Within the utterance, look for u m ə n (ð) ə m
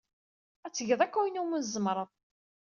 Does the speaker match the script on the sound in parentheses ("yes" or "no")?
no